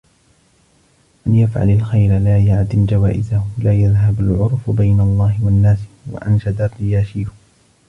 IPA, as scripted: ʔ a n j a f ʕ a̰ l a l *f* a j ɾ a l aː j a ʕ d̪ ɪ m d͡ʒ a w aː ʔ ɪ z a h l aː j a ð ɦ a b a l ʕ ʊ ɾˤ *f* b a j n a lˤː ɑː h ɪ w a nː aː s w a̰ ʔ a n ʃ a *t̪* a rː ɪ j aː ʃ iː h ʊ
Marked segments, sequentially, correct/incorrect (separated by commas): incorrect, correct, incorrect